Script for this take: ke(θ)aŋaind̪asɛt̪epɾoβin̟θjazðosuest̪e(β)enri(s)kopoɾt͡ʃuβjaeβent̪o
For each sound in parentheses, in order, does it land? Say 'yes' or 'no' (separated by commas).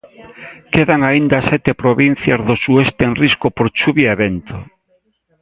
no, no, yes